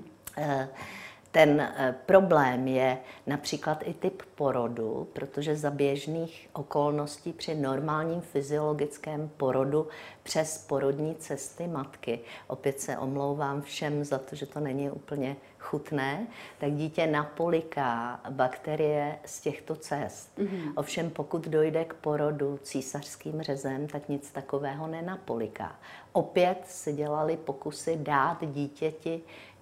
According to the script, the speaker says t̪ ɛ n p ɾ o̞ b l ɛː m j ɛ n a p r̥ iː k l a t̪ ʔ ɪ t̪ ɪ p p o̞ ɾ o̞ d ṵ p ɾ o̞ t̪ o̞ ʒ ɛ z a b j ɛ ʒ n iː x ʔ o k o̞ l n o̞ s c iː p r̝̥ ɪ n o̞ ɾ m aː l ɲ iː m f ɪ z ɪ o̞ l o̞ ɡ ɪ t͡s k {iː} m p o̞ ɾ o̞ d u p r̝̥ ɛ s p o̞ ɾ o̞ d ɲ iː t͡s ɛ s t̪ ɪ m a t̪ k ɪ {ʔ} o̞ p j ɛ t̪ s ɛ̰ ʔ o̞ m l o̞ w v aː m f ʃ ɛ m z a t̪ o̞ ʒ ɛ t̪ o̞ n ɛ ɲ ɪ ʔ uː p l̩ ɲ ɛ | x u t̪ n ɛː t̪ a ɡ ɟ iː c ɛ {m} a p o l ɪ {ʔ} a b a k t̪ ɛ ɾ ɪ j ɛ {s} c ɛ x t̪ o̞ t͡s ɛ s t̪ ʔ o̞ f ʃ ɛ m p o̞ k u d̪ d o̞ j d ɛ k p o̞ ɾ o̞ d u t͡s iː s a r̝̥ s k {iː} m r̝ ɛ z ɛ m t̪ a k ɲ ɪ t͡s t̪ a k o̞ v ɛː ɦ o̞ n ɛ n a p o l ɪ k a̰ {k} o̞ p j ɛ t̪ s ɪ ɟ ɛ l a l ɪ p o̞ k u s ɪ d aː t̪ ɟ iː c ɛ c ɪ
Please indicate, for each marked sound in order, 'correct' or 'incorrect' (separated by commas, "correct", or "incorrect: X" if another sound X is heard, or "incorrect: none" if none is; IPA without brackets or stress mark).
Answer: incorrect: ɛː, correct, incorrect: n, incorrect: k, correct, correct, incorrect: ʔ